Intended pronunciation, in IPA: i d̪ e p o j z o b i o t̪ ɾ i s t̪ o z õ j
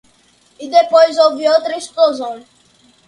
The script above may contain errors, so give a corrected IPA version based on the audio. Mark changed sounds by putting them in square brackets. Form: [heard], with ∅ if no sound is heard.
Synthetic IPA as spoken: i d̪ e p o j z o [v] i o t̪ ɾ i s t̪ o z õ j